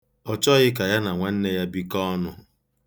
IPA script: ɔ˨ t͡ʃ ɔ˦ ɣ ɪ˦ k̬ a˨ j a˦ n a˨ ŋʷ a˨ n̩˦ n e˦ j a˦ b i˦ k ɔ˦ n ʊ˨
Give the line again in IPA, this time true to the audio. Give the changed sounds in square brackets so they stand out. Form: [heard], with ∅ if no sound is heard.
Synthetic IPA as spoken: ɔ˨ t͡ʃ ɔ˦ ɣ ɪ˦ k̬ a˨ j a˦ n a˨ ŋʷ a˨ n̩˦ n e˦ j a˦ b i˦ k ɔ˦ n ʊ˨